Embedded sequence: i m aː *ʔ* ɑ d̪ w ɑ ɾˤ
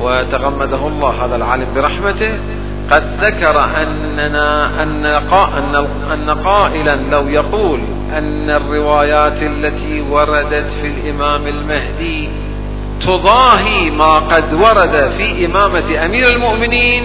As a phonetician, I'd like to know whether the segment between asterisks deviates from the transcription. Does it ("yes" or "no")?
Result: yes